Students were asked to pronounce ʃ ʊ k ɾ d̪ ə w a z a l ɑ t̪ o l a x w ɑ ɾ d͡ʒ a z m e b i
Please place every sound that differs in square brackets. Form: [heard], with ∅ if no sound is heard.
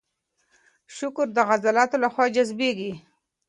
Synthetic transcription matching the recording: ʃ ʊ k ɾ d̪ ə [ɣ] a z a l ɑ t̪ o l a x w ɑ [∅] d͡ʒ a z [b] e [ɡ] i